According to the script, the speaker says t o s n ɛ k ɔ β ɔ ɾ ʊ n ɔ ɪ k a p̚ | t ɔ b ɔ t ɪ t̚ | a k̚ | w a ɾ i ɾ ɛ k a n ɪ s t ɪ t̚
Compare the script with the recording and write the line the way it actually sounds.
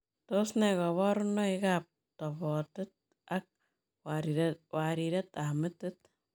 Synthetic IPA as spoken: t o s n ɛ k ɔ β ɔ ɾ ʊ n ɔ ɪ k a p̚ | t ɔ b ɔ t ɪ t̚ | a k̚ | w a ɾ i ɾ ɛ t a m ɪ t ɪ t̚